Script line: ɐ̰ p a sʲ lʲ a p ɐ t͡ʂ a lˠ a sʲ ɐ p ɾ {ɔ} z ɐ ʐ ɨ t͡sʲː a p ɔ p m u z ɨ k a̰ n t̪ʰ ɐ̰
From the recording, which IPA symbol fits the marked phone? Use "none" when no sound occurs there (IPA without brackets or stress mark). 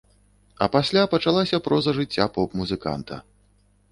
ɔ